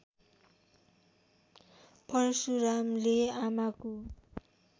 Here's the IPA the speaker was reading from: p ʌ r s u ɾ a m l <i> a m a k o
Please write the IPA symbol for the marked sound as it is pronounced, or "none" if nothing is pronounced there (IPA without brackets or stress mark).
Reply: e